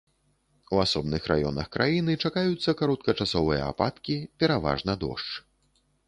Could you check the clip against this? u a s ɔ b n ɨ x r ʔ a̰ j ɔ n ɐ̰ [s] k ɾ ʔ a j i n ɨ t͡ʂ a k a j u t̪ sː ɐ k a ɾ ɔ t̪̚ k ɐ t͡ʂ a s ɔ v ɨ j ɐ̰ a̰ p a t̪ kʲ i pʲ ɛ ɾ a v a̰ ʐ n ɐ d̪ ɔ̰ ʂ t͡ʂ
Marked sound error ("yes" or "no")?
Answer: yes